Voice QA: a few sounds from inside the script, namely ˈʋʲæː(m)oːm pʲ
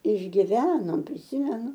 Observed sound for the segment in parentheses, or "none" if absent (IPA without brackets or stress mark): n